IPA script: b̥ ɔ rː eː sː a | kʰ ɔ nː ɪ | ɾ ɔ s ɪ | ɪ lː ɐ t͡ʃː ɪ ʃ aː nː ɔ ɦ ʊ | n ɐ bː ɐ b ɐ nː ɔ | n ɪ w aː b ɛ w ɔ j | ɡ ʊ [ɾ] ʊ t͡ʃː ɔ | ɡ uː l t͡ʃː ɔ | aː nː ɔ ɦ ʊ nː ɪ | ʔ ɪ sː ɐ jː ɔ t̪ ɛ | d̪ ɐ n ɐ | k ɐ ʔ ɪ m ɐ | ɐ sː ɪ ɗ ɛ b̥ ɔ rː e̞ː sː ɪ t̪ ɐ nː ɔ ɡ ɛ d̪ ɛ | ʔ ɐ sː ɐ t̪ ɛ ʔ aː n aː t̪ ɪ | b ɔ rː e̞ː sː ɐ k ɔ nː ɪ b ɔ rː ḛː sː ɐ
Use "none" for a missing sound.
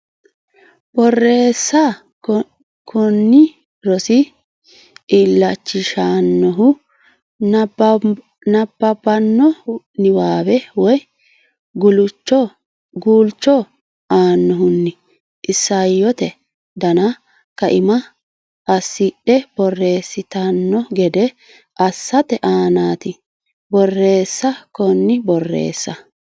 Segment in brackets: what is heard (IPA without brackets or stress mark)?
l